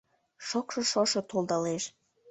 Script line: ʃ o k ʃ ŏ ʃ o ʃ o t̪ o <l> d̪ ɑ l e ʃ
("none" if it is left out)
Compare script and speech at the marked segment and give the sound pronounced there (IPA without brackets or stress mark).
l